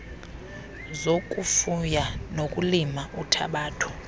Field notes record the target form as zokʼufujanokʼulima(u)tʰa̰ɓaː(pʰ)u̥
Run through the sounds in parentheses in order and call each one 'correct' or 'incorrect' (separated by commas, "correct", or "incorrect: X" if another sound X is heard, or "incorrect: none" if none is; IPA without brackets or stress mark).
correct, incorrect: tʰ